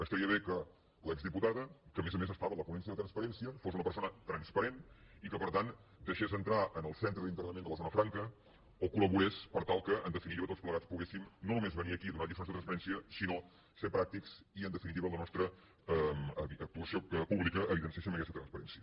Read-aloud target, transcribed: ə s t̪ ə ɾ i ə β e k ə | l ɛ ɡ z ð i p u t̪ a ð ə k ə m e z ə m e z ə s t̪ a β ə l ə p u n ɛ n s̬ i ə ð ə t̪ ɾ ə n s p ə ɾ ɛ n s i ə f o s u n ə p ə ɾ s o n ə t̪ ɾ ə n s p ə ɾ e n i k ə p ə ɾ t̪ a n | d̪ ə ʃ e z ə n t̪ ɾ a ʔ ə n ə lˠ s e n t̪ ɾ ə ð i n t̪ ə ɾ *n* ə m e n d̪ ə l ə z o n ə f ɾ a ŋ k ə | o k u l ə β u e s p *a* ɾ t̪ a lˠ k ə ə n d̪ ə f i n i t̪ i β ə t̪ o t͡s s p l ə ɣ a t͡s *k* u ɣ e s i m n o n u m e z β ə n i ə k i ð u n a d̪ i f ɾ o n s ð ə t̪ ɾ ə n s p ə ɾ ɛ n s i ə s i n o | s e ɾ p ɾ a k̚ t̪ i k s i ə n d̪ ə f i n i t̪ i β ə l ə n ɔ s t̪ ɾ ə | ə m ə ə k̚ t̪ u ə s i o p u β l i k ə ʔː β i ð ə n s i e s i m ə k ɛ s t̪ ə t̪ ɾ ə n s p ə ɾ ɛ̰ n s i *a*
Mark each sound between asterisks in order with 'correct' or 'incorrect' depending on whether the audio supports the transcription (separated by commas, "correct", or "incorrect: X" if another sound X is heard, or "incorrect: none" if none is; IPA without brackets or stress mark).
correct, incorrect: ə, incorrect: p, incorrect: ə